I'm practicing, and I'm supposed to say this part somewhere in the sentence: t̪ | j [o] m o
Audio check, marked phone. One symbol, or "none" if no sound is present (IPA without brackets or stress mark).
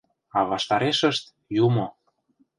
u